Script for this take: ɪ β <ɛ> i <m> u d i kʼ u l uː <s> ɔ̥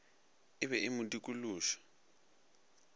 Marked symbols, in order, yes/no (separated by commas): yes, yes, no